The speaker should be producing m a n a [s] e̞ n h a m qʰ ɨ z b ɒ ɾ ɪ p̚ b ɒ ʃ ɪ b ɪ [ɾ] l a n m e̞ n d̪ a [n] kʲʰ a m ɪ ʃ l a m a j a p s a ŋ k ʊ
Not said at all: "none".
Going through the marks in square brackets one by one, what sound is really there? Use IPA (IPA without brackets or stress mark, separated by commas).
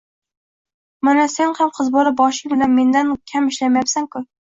s, none, n